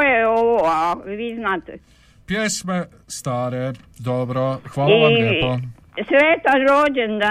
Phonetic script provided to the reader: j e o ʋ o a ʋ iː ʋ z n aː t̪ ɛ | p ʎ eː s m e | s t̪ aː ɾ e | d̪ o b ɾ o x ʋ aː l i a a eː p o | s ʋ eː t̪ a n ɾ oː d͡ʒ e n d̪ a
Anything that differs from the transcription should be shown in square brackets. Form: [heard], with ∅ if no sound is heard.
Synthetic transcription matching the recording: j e o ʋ o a ʋ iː [∅] z n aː t̪ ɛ | p [j] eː s m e | s t̪ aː ɾ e | d̪ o b ɾ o x ʋ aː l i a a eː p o | s ʋ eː t̪ a n ɾ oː d͡ʒ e n d̪ a